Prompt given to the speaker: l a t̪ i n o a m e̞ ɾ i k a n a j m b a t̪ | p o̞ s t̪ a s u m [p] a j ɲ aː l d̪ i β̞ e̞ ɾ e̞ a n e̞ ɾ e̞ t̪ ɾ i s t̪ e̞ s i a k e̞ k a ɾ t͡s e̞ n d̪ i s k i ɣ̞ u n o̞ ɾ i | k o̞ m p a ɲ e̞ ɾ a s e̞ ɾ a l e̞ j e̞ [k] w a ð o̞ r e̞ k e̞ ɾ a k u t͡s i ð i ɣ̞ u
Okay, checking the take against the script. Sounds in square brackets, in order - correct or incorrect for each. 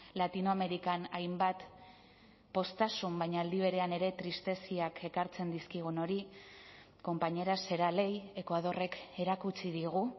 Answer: incorrect: b, correct

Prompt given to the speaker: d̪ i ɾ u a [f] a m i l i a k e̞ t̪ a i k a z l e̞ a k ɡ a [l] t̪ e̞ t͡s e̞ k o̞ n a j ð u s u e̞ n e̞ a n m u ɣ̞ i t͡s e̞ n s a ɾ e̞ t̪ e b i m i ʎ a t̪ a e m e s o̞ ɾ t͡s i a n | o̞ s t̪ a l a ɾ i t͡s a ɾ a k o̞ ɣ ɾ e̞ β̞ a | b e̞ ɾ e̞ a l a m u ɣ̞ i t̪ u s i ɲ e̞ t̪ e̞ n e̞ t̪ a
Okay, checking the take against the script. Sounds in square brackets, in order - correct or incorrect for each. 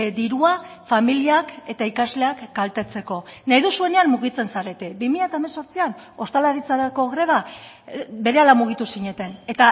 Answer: correct, correct

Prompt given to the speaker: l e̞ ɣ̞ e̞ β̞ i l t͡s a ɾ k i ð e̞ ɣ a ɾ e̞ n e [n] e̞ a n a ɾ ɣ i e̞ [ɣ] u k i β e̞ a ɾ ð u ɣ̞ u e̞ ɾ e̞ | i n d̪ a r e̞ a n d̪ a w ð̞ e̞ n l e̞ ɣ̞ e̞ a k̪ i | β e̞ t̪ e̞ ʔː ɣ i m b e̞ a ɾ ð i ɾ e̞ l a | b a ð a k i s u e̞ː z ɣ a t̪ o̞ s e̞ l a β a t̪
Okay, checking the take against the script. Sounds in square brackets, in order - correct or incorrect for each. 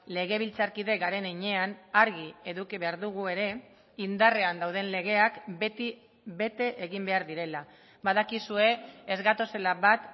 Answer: incorrect: ɲ, incorrect: ð

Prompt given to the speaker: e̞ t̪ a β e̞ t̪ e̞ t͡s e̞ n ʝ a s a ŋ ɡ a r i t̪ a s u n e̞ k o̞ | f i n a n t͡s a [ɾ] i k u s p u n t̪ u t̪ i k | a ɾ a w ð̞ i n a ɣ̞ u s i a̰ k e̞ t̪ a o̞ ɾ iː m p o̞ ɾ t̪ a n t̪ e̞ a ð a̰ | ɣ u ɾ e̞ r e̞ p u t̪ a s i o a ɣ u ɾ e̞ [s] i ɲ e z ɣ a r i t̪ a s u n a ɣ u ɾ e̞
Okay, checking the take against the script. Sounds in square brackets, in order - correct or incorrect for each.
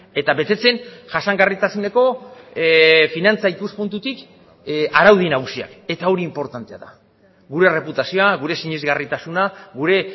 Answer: incorrect: none, correct

